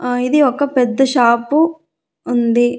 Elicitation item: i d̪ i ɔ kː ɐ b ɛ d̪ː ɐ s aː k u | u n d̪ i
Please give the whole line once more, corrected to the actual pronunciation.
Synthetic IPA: i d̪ i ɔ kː ɐ p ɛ d̪ː ɐ ʃ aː p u | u n d̪ i

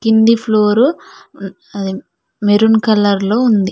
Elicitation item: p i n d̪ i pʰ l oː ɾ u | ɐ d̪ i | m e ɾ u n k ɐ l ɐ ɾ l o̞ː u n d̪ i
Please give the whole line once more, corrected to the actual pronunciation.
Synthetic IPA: k i n d̪ i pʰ l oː ɾ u | ɐ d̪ i | m e ɾ u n k ɐ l ɐ ɾ l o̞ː u n d̪ i

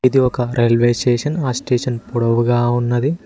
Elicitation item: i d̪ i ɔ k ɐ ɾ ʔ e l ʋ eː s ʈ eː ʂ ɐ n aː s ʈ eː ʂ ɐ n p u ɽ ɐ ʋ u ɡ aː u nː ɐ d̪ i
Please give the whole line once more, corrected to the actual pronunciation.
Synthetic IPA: i d̪ i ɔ k ɐ ɾ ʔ e l ʋ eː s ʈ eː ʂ ɐ n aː s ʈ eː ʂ ɐ n p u ɽ ɐ ʋ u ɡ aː u nː ɐ d̪ i

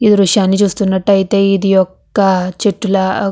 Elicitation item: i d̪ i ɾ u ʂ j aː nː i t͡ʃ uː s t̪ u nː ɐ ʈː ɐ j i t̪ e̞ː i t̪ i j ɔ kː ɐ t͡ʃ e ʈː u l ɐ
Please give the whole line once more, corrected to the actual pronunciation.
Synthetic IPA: i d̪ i ɾ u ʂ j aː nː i t͡ʃ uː s t̪ u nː ɐ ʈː ɐ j i t̪ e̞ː i d̪ i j ɔ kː ɐ t͡ʃ e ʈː u l ɐ

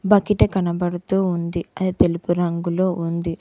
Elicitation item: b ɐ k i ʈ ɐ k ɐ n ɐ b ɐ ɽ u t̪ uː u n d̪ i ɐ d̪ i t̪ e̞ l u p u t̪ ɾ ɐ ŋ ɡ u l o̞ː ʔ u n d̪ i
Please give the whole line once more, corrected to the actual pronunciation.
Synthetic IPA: b ɐ k i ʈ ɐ k ɐ n ɐ b ɐ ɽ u t̪ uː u n d̪ i ɐ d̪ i t̪ e̞ l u p u ɾ ɐ ŋ ɡ u l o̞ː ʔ u n d̪ i

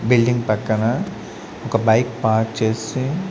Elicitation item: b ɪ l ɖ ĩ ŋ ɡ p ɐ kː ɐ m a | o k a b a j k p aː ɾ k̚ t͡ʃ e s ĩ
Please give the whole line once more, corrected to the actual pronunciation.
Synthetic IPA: b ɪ l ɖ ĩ ŋ ɡ p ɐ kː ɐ n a | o k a b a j k p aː ɾ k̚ t͡ʃ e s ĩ

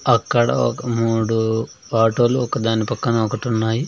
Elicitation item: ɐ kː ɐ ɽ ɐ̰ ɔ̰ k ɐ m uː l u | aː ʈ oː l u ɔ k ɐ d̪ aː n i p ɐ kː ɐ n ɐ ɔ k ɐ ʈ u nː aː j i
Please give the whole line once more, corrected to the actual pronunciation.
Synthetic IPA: ɐ kː ɐ ɽ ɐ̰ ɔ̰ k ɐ m uː ɽ u | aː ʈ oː l u ɔ k ɐ d̪ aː n i p ɐ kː ɐ n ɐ ɔ k ɐ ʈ u nː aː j i

